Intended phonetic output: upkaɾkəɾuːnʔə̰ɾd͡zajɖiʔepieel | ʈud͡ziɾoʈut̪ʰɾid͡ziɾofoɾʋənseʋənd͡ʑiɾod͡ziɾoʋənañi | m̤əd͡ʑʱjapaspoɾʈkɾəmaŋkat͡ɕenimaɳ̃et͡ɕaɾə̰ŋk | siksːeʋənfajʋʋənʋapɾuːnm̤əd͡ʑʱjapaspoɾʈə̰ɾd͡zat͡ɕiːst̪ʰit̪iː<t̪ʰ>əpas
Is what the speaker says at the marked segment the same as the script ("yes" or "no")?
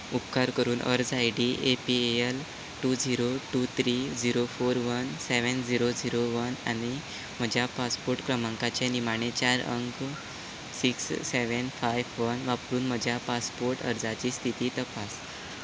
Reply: no